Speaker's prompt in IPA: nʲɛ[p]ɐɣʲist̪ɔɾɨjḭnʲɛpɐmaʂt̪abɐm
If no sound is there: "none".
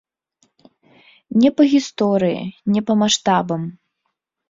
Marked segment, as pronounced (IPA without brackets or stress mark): p